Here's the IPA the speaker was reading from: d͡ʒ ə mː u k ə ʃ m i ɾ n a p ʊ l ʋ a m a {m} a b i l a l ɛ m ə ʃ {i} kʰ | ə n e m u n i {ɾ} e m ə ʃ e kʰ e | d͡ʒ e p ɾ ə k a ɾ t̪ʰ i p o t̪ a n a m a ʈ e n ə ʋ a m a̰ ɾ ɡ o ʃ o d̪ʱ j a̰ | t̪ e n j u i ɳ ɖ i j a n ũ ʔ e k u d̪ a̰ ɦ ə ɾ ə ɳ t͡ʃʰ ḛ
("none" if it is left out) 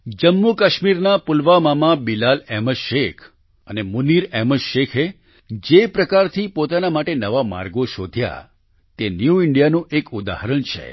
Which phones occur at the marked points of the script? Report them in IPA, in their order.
m, e, ɾ

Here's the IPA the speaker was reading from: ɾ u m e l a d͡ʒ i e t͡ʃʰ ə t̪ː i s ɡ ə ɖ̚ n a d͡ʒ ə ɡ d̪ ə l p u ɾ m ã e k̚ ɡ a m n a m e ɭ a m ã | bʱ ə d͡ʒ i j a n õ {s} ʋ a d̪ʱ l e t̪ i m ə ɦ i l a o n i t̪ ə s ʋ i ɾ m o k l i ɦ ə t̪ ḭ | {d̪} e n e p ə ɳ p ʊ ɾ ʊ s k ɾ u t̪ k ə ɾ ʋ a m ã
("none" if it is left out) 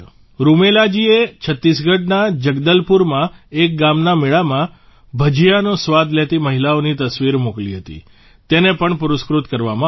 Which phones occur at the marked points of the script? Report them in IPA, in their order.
s, t̪

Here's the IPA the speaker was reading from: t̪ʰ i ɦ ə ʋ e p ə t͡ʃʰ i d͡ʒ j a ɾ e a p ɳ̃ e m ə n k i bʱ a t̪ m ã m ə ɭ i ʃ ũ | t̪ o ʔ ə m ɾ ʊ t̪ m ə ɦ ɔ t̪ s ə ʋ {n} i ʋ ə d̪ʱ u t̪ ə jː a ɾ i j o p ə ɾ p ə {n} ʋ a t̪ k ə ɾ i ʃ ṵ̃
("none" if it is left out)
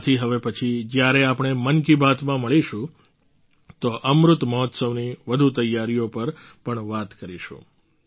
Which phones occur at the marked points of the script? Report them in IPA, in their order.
n, ɳ

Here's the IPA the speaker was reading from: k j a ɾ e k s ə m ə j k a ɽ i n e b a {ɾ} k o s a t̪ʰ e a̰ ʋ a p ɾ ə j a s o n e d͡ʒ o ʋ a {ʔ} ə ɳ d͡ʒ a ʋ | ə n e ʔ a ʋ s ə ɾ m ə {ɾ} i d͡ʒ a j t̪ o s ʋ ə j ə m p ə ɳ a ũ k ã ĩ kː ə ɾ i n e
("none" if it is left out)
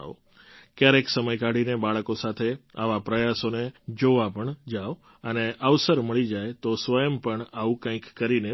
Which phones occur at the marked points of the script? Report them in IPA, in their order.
ɭ, p, ɭ

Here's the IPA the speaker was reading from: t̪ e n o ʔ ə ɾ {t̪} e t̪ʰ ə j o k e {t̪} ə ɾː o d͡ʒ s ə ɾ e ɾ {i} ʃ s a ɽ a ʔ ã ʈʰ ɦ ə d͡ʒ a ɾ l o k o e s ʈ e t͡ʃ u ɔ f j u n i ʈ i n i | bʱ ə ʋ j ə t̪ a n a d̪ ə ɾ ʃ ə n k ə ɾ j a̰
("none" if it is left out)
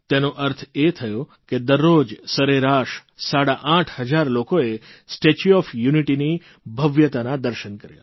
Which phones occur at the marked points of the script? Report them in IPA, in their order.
t̪ʰ, d̪, a

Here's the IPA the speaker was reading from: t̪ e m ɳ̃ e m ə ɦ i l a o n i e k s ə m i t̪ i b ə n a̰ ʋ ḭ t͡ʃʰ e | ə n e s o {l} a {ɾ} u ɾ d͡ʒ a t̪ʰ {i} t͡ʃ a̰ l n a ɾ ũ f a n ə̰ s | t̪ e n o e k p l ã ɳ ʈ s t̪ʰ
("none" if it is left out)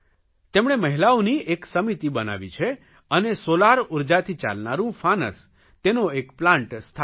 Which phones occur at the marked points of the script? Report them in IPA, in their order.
l, ɾ, i

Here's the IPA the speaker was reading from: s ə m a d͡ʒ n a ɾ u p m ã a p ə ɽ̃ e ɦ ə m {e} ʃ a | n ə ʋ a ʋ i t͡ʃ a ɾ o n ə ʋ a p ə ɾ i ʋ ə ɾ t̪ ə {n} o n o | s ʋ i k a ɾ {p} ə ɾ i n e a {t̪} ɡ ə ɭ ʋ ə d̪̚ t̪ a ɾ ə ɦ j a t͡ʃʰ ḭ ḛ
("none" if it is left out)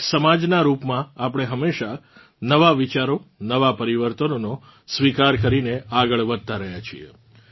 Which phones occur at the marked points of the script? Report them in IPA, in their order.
e, n, k, none

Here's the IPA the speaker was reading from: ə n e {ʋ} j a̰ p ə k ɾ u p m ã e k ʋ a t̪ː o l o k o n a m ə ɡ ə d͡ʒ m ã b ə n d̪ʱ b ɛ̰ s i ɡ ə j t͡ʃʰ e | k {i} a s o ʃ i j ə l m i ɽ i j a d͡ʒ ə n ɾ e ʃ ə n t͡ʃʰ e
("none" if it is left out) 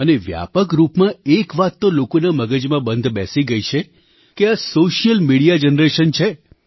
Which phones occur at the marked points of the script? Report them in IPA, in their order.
ʋ, e

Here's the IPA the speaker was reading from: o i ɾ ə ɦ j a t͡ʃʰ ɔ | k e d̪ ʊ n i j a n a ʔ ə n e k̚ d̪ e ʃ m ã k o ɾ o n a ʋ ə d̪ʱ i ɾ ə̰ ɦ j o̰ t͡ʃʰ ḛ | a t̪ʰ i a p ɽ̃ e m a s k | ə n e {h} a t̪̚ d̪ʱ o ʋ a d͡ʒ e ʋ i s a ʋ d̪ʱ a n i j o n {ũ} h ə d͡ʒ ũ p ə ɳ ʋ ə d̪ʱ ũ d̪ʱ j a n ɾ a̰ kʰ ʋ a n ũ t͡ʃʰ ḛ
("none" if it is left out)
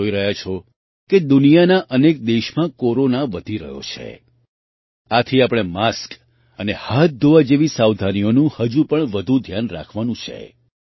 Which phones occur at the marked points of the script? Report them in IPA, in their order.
h, ũ

